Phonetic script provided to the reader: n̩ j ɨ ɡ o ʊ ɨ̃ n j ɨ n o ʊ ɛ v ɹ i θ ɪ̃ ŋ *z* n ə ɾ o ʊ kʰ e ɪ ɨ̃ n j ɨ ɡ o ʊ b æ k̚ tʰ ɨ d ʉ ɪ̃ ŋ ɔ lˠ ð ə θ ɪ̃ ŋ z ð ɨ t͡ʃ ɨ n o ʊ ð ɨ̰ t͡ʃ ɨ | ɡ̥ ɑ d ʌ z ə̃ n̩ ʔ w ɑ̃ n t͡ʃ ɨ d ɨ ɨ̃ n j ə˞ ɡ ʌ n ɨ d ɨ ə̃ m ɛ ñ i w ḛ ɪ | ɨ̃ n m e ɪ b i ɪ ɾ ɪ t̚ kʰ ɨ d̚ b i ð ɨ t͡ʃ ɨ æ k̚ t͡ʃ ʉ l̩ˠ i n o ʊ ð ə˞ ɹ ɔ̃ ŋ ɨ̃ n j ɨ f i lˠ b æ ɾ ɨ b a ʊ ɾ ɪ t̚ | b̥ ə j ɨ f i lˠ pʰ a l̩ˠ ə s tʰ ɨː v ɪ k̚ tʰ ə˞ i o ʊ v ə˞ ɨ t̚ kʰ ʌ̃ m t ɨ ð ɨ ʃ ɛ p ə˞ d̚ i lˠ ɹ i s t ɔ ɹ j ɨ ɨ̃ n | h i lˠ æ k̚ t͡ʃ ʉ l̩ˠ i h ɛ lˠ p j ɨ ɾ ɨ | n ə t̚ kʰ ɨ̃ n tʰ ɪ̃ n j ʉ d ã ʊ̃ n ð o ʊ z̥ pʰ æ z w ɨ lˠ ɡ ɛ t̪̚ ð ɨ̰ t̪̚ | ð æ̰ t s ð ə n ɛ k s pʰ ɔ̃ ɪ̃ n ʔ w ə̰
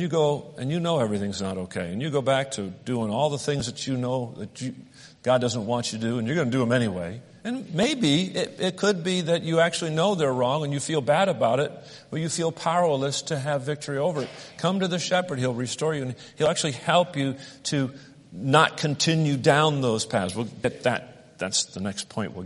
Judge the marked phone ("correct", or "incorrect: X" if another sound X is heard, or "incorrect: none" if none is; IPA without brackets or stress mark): correct